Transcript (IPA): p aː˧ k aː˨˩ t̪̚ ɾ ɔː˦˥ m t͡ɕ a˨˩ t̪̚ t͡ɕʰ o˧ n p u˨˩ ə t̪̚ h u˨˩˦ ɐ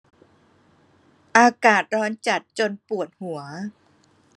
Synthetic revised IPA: ʔ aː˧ k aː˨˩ t̪̚ ɾ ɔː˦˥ n t͡ɕ a˨˩ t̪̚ t͡ɕ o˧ n p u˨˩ ə t̪̚ h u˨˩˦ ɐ